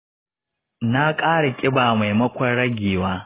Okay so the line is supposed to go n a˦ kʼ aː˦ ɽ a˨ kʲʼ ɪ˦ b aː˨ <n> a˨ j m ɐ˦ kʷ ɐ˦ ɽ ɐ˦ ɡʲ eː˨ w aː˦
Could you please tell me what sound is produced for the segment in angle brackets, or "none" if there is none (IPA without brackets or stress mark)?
m